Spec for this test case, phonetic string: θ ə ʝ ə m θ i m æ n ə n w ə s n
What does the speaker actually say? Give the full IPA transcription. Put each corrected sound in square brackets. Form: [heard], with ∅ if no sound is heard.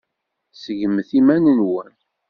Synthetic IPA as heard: [s] ə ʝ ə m θ i m æ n ə n w ə [∅] n